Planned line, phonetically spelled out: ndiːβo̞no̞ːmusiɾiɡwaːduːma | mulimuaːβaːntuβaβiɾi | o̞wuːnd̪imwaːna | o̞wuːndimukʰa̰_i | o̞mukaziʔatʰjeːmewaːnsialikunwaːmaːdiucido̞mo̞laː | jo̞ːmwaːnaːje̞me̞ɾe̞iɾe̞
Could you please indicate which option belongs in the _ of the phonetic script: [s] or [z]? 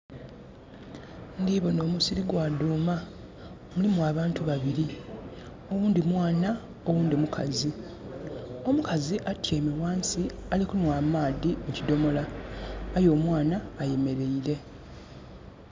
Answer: z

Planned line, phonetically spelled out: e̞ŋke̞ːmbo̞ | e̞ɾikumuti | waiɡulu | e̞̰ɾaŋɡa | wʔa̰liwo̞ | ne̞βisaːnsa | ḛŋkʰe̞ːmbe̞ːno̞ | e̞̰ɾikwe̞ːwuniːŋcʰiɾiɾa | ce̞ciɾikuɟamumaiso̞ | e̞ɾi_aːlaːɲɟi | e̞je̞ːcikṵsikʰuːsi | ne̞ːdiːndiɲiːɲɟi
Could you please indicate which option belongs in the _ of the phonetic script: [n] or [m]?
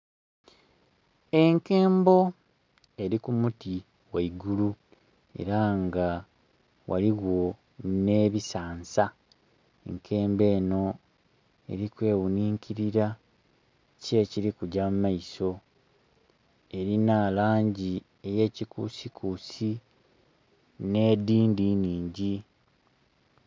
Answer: n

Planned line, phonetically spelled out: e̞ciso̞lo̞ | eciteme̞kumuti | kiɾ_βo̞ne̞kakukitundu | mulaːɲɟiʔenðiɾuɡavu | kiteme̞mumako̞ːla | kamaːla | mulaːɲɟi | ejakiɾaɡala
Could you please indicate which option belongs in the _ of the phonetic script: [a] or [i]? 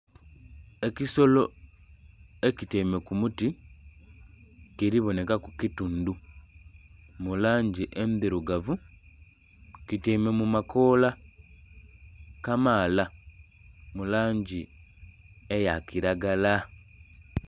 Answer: i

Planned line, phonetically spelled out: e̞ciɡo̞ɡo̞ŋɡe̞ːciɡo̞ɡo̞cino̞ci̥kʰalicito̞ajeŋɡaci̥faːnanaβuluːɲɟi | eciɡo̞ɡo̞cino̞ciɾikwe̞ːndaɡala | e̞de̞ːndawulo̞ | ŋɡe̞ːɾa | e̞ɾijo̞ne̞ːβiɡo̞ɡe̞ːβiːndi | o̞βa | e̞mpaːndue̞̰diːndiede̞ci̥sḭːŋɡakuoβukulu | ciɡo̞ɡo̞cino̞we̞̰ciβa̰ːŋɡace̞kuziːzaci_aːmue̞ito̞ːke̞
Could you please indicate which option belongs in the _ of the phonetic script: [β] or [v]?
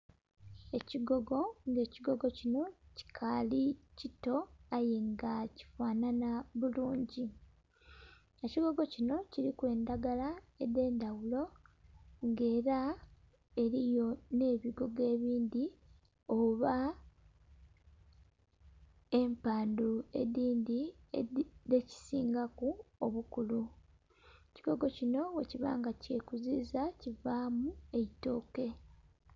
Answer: v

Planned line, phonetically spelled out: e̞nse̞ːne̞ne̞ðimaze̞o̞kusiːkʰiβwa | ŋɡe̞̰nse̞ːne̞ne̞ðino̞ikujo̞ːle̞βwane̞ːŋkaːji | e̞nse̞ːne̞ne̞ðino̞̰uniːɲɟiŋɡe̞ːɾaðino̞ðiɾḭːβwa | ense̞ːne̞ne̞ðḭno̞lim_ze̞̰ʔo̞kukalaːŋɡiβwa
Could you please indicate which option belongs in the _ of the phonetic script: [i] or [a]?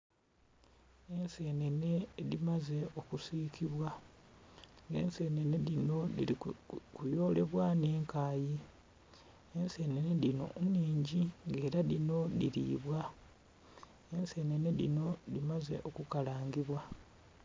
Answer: a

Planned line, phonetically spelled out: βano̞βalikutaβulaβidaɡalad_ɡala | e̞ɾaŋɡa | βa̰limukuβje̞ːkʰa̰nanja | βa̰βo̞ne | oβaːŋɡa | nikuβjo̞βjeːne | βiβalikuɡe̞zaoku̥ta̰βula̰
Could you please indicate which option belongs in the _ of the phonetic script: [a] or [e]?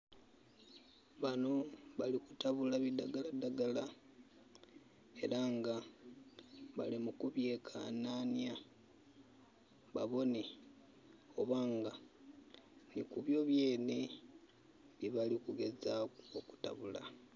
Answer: a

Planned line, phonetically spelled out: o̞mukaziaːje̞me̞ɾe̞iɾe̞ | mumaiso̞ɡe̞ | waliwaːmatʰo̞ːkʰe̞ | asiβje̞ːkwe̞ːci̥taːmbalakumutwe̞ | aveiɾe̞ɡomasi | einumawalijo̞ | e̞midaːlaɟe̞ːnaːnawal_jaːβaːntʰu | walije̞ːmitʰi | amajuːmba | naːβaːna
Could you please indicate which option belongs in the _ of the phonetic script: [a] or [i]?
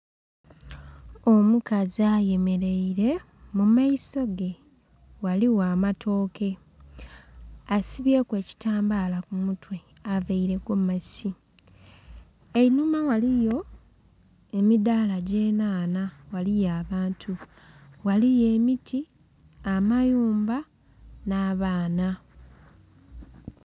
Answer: i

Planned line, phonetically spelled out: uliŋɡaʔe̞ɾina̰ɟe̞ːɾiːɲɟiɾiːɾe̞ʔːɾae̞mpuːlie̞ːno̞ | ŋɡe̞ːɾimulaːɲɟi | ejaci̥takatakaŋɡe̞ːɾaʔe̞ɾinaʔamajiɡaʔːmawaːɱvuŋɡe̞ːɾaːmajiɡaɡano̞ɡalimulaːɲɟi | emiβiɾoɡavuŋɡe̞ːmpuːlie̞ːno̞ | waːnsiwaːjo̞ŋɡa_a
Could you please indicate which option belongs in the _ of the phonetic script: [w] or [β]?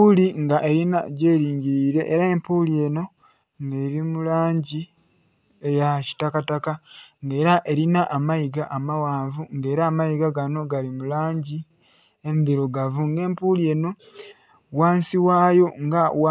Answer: w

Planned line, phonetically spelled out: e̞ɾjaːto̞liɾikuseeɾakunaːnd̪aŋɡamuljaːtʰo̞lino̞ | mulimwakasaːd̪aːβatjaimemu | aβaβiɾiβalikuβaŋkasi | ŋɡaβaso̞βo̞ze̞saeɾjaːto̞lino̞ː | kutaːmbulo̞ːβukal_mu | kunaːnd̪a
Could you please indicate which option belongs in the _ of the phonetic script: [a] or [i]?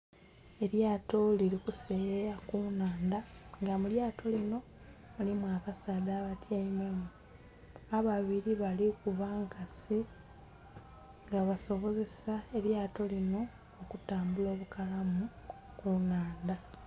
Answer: a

